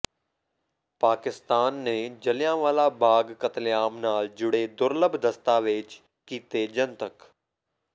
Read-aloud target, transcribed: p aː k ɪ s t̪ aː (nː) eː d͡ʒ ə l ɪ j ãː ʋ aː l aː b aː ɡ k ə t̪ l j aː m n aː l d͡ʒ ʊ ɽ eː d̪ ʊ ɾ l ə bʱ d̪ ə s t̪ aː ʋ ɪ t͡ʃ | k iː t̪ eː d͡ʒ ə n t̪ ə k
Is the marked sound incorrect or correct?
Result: correct